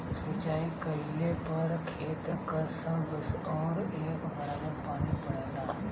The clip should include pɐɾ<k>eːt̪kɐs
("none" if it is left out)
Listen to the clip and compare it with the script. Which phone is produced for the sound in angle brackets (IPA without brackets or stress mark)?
kʰ